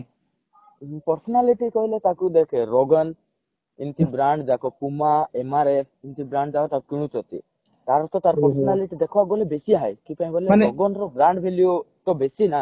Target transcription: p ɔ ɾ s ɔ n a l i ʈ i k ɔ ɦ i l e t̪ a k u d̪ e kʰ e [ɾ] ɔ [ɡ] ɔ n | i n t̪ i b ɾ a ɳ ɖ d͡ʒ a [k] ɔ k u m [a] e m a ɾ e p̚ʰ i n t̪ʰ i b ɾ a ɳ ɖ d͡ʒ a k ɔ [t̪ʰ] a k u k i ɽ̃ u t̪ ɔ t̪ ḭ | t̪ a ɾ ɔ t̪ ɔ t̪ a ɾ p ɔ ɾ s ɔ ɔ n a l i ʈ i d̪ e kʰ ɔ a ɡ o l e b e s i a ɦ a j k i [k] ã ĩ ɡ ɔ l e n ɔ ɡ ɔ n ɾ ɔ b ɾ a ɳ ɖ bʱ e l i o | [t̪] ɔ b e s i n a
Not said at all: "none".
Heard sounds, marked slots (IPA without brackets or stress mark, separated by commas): ɾ, ɡ, k, a, t̪, p, t̪